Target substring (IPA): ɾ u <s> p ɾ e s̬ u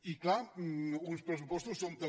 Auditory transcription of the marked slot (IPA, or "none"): s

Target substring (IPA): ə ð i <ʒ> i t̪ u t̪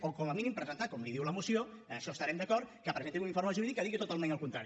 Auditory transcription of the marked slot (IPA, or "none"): ɣ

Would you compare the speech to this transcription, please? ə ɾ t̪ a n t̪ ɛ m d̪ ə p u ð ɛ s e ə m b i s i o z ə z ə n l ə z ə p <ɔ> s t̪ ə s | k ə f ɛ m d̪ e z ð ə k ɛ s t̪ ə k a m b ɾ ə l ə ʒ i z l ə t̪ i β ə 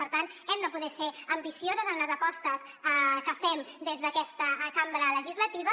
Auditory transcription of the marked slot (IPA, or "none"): ɔ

